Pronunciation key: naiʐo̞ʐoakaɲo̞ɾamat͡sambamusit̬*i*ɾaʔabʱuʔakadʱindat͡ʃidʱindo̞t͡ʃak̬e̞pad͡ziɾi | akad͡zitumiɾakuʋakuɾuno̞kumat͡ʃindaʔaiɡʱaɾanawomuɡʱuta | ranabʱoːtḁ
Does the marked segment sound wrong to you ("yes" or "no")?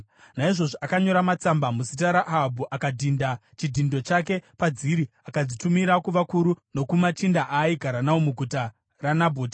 yes